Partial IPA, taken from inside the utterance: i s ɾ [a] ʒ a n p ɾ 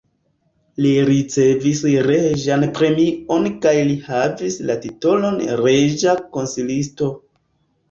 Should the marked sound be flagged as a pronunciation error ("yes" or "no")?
yes